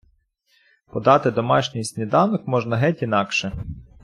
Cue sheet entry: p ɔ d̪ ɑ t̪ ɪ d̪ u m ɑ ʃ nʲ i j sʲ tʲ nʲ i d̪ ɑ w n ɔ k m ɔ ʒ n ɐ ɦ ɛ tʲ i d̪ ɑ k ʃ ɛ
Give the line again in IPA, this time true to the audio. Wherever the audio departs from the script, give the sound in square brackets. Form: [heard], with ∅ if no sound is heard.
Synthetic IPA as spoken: p ɔ d̪ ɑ t̪ ɪ d̪ [ɔ] m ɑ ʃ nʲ i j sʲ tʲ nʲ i d̪ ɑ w n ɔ k m ɔ ʒ n ɐ ɦ ɛ tʲ i [n̪] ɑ k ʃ ɛ